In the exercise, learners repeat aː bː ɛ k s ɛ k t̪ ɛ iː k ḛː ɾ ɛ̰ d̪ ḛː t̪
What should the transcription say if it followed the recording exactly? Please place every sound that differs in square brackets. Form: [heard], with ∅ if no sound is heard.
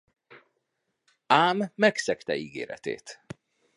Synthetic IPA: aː [mː] ɛ k s ɛ k t̪ ɛ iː [ɡ] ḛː ɾ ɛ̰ [t̪] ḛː t̪